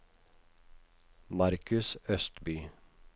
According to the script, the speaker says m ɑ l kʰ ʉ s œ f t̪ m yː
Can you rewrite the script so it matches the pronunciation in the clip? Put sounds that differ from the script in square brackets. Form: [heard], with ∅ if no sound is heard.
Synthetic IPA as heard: m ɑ [ɾ] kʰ ʉ s œ [s] t̪ [b] yː